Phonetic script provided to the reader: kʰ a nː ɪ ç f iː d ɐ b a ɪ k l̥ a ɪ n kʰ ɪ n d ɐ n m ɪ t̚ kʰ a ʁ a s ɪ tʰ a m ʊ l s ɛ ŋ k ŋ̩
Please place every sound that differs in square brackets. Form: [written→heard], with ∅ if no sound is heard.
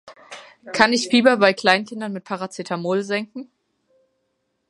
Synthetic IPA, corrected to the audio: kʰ a [nː→n] ɪ ç f iː [d→b] ɐ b a ɪ k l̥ a ɪ n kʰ ɪ n d ɐ n m ɪ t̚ [kʰ→pʰ] a ʁ a [s→t͡s] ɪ tʰ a m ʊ l [s→z] ɛ ŋ k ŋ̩